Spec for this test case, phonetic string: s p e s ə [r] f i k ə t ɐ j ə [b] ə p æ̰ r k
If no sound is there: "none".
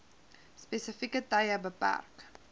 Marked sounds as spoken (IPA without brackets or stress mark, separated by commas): none, b